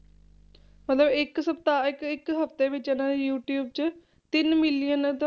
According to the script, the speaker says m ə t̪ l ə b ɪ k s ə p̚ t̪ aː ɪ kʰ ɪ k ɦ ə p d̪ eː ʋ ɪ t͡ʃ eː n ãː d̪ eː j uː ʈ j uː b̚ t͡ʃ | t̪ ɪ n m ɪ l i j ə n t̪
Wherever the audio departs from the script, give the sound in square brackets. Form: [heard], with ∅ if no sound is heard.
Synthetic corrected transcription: m ə t̪ l ə b ɪ k s ə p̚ t̪ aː ɪ [k] ɪ k ɦ ə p [t̪] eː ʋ ɪ t͡ʃ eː n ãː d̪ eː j uː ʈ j uː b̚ t͡ʃ | t̪ ɪ n m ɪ l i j ə n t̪